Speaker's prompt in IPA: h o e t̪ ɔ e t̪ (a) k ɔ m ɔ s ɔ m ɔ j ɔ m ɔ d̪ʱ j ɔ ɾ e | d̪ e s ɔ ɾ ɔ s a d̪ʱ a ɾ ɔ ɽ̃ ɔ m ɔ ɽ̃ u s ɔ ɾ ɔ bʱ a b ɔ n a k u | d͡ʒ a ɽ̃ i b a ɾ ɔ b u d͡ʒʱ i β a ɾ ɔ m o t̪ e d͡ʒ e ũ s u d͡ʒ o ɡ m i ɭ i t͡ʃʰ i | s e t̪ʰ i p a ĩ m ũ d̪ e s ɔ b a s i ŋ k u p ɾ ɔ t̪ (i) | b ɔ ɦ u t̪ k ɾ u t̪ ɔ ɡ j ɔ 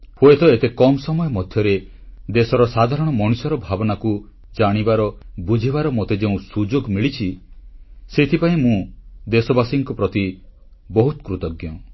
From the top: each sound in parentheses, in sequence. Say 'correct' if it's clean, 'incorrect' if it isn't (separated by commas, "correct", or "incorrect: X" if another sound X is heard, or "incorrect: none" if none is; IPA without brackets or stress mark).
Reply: incorrect: e, correct